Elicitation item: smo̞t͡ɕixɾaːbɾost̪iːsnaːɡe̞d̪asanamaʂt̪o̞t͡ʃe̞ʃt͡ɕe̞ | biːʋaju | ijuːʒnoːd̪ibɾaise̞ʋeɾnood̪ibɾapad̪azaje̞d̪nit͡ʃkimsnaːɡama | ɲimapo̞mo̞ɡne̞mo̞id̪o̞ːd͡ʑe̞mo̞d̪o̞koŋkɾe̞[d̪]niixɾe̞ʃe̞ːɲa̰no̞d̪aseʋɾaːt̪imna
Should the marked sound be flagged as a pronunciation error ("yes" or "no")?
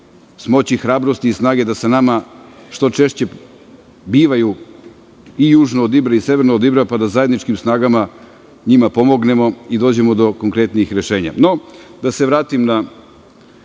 yes